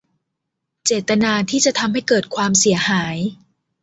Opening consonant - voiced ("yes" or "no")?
no